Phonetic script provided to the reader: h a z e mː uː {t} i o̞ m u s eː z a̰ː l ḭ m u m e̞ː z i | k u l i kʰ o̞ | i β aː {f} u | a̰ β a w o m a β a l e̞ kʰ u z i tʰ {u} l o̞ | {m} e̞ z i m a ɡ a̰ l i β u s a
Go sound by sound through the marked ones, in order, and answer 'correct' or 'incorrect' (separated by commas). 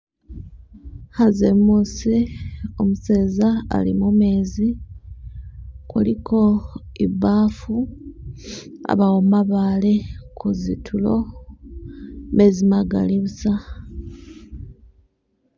incorrect, correct, correct, correct